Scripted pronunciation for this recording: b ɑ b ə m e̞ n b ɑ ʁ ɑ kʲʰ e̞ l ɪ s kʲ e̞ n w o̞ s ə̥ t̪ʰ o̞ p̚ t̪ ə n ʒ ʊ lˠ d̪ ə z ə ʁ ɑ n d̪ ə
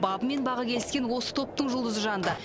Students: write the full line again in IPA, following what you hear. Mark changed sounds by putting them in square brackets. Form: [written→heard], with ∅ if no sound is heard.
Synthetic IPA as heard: b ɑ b ə m e̞ n b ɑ ʁ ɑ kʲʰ e̞ l ɪ s kʲ e̞ n w o̞ s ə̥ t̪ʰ o̞ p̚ t̪ ə [n→ɴ] ʒ ʊ lˠ d̪ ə z ə [ʁ→ʒ] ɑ n d̪ ə